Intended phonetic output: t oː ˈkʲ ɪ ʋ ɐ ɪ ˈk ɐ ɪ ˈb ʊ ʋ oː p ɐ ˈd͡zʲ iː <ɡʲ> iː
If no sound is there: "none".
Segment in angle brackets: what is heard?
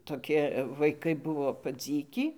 kʲ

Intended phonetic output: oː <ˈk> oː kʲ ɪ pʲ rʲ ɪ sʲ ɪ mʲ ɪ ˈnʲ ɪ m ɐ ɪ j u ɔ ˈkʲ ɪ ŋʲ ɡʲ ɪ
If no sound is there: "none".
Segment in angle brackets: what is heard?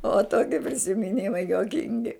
t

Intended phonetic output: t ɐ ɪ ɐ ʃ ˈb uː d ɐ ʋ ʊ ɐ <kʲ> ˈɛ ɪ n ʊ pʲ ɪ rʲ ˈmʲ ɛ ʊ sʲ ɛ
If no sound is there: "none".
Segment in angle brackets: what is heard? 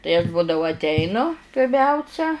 tʲ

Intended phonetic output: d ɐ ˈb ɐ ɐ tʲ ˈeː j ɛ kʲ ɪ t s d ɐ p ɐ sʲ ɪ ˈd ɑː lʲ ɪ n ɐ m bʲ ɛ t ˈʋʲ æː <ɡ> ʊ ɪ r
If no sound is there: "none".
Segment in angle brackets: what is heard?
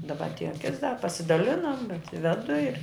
d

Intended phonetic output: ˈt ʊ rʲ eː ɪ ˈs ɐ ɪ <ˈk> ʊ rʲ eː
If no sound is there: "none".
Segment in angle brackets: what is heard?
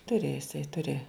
t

